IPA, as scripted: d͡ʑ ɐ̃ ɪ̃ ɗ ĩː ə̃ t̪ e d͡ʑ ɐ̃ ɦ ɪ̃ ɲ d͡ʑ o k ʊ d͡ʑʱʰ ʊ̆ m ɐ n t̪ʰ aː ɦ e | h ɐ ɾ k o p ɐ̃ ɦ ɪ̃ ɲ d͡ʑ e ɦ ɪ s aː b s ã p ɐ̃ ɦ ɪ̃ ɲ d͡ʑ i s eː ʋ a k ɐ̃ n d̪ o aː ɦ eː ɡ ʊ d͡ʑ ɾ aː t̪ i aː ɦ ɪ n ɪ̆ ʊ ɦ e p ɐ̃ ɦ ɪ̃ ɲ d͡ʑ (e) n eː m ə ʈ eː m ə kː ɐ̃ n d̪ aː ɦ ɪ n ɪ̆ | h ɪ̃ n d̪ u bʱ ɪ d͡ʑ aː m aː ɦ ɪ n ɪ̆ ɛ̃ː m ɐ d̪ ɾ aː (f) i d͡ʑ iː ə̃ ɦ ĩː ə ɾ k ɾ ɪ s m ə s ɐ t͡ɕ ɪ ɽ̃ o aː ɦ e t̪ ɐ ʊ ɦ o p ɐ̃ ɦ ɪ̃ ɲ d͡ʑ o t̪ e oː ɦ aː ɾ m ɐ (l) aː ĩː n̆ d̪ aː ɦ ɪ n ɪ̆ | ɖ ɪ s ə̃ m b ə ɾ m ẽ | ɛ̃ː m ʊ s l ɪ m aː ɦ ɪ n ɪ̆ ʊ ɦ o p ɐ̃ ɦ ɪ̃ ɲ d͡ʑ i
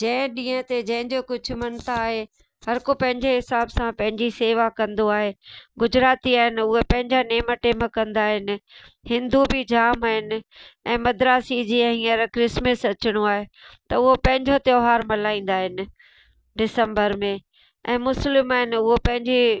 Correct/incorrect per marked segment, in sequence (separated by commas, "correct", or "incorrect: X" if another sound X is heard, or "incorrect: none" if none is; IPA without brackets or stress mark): incorrect: a, incorrect: s, correct